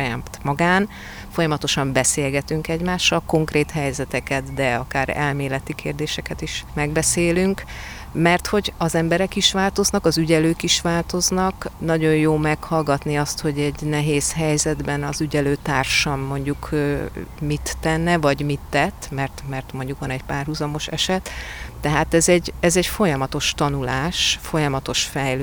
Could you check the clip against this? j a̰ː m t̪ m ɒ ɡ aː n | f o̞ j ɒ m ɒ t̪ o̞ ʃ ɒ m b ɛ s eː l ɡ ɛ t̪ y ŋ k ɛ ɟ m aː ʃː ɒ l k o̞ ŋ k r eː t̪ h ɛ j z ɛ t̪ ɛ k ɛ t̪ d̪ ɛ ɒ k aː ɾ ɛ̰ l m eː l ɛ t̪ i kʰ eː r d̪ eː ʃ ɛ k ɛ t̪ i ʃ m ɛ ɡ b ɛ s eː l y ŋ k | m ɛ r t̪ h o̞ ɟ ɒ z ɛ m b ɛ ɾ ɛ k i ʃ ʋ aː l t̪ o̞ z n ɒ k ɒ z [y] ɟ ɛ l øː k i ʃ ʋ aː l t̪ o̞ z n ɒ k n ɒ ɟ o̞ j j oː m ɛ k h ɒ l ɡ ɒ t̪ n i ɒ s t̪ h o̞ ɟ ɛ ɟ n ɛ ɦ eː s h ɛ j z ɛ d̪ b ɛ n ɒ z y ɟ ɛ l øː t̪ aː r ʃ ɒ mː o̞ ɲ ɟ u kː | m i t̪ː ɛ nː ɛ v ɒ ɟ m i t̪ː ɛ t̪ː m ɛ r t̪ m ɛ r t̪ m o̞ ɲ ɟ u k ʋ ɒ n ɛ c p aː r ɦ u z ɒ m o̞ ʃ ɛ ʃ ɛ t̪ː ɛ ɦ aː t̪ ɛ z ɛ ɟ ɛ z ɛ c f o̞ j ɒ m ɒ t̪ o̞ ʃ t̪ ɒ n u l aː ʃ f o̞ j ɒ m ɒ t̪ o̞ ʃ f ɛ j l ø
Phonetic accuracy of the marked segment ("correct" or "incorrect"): correct